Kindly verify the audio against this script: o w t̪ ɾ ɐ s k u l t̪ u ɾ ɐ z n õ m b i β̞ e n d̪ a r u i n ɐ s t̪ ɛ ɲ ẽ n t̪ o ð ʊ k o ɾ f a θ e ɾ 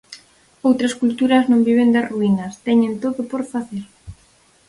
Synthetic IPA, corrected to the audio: o w t̪ ɾ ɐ s k u l t̪ u ɾ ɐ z n õ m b i β̞ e n d̪ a r u i n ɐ s t̪ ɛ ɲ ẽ n t̪ o ð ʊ p o ɾ f a θ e ɾ